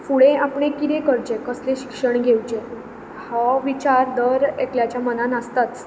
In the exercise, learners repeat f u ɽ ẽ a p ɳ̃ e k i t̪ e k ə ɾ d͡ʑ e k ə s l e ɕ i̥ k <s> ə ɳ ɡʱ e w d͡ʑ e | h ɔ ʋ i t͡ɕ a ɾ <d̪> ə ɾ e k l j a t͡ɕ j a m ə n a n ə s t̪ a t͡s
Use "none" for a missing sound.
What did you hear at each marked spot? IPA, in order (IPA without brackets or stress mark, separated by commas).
ʂ, d̪